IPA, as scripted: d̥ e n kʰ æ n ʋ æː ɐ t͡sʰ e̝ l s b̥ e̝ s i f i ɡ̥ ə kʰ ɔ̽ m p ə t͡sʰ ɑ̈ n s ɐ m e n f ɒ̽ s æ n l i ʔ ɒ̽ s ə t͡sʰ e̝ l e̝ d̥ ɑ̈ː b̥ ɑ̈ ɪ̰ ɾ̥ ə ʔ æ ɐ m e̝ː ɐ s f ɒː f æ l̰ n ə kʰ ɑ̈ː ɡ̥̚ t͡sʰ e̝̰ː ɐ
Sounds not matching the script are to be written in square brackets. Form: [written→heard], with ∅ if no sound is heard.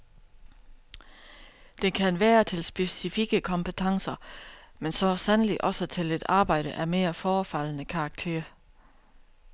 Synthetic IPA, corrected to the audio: d̥ e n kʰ æ n ʋ æː ɐ t͡sʰ e̝ l s b̥ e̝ s i f i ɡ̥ ə kʰ [ɔ̽→ɒ̽] m p ə t͡sʰ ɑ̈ [n→ŋ] s ɐ m e n [f→s] ɒ̽ s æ n l i ʔ ɒ̽ s ə t͡sʰ e̝ l e̝ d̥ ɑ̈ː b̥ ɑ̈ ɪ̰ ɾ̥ ə ʔ æ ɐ m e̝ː ɐ [s→∅] f ɒː f æ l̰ n ə kʰ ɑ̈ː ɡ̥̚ t͡sʰ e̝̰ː ɐ